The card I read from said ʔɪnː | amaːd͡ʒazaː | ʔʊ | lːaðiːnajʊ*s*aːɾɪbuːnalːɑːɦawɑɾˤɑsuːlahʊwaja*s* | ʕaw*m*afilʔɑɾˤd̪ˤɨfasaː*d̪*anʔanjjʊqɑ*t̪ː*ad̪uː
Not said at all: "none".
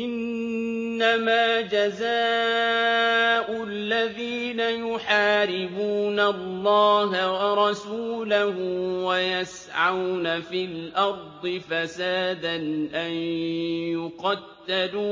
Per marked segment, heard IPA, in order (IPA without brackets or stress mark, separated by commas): ħ, s, n, d̪, t̪ː